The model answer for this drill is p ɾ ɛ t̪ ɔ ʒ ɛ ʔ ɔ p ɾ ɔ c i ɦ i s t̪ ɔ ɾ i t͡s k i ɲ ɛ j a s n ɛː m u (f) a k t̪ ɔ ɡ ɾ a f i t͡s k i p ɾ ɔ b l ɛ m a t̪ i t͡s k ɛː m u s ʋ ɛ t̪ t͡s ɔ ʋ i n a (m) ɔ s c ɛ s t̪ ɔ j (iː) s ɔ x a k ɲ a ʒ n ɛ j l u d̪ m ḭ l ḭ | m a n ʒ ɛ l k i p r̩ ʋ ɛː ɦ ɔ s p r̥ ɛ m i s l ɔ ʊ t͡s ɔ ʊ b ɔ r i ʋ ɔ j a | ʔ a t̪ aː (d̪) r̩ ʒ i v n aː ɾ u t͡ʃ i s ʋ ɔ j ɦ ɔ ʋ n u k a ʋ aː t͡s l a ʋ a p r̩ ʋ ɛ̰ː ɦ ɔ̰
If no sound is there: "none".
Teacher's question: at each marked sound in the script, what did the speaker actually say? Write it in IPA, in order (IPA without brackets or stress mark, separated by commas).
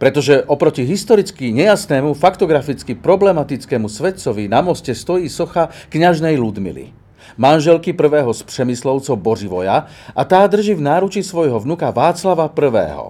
f, m, iː, d̪